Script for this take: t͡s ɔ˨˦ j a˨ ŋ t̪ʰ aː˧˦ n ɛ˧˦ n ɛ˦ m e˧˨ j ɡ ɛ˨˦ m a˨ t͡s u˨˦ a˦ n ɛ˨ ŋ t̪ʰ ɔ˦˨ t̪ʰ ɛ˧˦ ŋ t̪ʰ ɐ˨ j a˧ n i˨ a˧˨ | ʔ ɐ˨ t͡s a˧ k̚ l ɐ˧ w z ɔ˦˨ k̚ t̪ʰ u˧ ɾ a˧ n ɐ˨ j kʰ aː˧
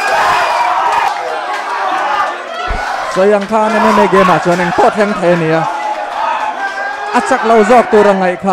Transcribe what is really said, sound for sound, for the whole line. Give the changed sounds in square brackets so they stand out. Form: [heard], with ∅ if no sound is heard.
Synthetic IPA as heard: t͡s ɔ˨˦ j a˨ ŋ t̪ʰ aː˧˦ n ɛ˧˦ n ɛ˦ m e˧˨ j ɡ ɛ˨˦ m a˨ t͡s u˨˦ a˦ n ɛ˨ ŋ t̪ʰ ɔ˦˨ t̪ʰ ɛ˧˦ ŋ t̪ʰ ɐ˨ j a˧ n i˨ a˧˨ | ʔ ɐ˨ t͡s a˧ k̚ l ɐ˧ w z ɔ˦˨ k̚ [t̪] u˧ ɾ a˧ [ŋ] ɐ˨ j kʰ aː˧